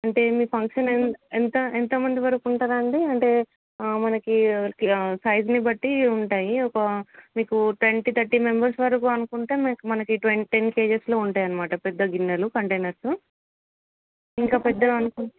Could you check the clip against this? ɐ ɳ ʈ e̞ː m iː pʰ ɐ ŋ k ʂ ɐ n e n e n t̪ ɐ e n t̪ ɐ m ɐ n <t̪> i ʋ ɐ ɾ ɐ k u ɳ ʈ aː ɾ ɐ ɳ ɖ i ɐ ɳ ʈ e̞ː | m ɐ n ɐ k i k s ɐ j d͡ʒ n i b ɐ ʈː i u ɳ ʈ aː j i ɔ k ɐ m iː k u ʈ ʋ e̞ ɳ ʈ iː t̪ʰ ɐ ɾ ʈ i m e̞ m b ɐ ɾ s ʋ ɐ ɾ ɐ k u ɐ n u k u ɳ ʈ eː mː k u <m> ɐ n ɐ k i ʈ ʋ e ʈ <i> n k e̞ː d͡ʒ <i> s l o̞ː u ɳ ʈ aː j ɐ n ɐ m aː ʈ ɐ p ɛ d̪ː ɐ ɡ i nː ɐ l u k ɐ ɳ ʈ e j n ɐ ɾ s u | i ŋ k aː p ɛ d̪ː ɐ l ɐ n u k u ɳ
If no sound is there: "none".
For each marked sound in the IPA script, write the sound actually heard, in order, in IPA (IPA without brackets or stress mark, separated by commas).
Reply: d̪, m, e, e